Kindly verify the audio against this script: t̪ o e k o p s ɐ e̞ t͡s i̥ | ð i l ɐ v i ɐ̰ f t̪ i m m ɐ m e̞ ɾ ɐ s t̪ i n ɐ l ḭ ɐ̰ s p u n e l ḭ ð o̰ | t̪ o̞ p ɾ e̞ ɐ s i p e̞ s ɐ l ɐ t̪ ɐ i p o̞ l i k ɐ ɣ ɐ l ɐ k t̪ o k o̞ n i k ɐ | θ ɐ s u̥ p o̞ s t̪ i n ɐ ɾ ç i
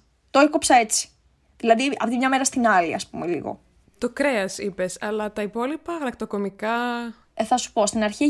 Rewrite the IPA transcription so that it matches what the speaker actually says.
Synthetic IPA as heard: t̪ o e k o p s ɐ e̞ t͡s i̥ | ð i l ɐ ð i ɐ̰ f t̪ i m ɲ ɐ m e̞ ɾ ɐ s t̪ i n ɐ l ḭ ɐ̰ s p u m e l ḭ ɣ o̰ | t̪ o̞ k ɾ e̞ ɐ s i p e̞ s ɐ l ɐ t̪ ɐ i p o̞ l i p ɐ ɣ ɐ l ɐ k t̪ o k o̞ m i k ɐ | θ ɐ s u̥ p o̞ s t̪ i n ɐ ɾ ç i